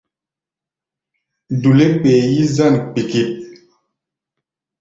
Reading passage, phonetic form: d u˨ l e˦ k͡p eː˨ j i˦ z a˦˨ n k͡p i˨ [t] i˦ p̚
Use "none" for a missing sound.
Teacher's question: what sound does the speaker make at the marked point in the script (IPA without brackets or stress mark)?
k